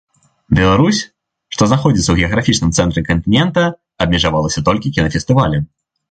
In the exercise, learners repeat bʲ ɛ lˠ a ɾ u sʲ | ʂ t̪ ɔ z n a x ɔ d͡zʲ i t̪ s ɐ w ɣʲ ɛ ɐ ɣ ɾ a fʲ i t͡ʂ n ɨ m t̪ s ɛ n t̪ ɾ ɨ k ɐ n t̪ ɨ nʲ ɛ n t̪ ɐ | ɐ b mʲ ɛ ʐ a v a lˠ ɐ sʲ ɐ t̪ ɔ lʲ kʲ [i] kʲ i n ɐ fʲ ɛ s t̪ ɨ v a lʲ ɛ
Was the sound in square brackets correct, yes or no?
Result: yes